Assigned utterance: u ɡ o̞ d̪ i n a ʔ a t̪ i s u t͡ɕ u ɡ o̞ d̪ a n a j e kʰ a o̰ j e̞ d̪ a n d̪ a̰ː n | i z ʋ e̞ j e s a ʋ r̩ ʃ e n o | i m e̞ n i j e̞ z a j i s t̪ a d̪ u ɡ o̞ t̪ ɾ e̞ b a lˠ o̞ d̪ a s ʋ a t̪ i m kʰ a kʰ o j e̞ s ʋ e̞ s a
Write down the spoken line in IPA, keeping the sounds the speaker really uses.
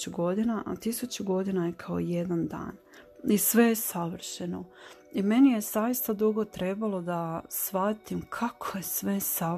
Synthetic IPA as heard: u ɡ o̞ d̪ i n a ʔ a t̪ i s u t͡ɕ u ɡ o̞ d̪ i n a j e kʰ a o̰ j e̞ d̪ a n d̪ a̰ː n | i s ʋ e̞ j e s a ʋ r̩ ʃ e n o | i m e̞ n i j e̞ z a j i s t̪ a d̪ u ɡ o̞ t̪ ɾ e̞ b a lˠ o̞ d̪ a s ʋ a t̪ i m kʰ a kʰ o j e̞ s ʋ e̞ s a